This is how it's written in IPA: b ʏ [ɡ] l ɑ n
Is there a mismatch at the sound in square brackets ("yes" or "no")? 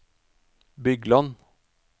no